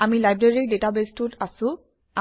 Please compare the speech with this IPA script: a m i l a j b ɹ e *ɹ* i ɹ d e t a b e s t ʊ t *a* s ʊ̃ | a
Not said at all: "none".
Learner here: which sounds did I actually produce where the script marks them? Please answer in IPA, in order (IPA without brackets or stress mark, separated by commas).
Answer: ɹ, a